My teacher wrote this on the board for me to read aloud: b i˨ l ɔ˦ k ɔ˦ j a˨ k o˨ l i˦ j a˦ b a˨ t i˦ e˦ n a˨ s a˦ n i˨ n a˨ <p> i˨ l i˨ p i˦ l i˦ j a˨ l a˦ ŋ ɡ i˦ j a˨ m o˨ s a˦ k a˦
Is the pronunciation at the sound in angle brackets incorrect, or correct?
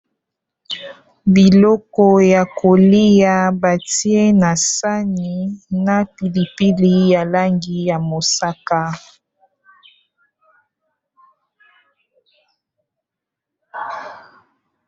correct